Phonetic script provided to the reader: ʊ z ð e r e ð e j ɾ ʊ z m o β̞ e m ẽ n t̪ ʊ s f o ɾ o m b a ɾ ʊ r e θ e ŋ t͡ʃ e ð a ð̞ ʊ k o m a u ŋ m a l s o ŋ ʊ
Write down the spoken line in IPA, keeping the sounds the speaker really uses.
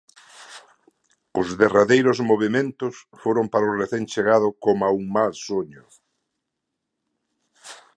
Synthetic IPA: ʊ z ð e r a ð e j ɾ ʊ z m o β̞ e m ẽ n t̪ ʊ s f o ɾ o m p a ɾ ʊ r e θ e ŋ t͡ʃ e ɣ a ð̞ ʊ k o m a u ŋ m a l s o ɲ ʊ